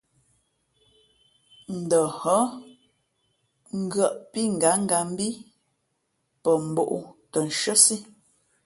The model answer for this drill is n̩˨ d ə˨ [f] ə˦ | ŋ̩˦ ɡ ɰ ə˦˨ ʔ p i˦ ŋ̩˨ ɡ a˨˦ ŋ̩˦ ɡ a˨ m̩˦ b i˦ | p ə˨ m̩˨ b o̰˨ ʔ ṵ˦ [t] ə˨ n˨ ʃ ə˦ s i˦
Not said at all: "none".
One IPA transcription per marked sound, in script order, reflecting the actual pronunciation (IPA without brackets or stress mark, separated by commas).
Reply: h, t